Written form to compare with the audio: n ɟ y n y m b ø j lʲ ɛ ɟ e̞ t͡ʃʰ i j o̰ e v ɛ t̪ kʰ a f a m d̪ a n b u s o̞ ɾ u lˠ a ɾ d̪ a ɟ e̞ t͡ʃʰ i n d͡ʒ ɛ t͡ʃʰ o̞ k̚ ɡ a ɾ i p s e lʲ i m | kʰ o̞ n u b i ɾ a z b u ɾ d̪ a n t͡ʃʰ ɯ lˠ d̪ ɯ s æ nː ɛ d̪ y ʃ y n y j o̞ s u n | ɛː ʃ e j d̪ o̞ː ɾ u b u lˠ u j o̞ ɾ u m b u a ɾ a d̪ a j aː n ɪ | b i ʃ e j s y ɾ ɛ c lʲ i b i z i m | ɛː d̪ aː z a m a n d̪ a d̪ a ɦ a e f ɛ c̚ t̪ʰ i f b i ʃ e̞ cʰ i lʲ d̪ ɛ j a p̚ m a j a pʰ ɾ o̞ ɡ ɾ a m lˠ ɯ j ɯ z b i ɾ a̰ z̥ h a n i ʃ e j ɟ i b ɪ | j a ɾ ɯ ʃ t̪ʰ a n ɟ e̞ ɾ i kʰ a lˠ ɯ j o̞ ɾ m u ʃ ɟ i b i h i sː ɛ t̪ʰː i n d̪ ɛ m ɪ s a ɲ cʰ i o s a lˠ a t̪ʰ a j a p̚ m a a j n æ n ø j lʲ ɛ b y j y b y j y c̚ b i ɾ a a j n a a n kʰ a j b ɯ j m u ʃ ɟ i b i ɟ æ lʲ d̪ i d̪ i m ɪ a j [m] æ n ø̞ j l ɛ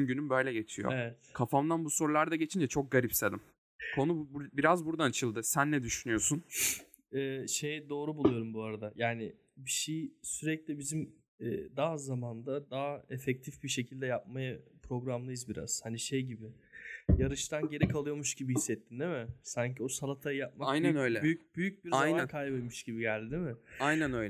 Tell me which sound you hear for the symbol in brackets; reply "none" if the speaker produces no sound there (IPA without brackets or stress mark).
n